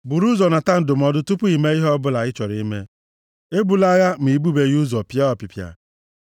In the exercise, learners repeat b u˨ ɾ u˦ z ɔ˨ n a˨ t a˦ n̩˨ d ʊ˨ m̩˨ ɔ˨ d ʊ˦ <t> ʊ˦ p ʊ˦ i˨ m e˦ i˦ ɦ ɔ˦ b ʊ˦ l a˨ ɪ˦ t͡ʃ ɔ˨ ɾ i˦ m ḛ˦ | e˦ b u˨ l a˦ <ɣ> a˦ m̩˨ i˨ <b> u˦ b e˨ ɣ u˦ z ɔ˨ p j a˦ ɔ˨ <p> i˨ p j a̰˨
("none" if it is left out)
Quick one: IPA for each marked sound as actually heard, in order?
t, ɣ, b, p

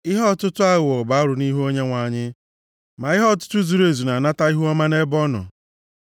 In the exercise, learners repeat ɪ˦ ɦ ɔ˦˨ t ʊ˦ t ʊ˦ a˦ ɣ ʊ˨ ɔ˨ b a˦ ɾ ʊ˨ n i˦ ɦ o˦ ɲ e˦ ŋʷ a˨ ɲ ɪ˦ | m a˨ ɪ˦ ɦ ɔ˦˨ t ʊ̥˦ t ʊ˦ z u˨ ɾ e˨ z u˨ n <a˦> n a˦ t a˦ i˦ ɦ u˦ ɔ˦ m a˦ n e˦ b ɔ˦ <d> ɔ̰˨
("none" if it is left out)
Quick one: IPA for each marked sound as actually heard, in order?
a˨, n

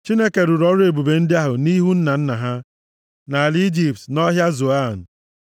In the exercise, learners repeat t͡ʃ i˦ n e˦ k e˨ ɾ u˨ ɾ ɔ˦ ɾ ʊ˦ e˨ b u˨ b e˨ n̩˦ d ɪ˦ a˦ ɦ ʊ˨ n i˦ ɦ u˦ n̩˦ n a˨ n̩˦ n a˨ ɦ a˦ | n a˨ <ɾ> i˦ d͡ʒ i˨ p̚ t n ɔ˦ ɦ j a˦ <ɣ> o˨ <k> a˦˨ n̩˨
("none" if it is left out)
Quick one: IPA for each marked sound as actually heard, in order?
l, z, none

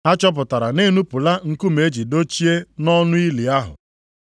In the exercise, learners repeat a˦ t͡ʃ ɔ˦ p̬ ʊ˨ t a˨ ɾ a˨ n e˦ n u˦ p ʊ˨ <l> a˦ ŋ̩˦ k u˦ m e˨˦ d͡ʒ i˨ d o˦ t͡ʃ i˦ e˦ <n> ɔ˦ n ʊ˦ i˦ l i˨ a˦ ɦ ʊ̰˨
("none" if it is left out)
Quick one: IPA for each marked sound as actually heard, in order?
l, n

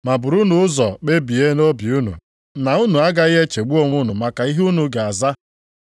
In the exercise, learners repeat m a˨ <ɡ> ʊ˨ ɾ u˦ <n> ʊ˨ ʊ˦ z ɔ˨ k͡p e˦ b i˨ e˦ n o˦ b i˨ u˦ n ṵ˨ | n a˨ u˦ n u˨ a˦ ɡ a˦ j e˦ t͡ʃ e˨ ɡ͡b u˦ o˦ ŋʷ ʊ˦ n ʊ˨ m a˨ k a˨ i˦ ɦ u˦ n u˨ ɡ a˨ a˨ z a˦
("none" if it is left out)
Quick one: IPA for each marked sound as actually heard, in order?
b, n

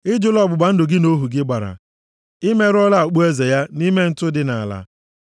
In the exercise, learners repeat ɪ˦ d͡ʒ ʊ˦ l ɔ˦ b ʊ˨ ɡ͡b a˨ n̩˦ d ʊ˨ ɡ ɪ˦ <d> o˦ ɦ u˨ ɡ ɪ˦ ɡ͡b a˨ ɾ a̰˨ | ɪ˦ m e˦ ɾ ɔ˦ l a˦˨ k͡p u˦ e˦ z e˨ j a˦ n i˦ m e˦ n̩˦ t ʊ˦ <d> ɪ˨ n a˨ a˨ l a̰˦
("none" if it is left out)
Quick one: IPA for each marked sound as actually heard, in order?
n, d

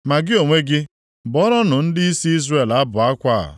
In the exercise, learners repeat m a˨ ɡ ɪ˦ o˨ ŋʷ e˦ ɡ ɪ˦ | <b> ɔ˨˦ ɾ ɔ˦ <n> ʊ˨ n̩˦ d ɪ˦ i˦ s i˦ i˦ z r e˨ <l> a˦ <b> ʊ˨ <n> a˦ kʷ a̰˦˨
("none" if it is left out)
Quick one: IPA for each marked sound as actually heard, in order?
b, n, l, b, none

